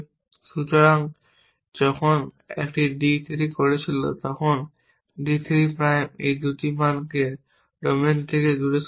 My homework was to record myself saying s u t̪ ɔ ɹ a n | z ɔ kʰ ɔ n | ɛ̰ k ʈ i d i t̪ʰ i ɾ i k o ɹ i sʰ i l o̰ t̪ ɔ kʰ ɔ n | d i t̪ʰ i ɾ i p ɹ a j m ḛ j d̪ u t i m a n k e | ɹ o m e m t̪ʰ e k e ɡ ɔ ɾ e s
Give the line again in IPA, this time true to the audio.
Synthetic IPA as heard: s u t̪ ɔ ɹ a ŋ | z ɔ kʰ ɔ n | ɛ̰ k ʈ i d i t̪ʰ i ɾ i k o ɹ i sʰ i l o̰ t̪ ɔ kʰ ɔ n | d i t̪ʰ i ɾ i p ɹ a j m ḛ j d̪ u t i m a n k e | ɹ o m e n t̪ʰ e k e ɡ u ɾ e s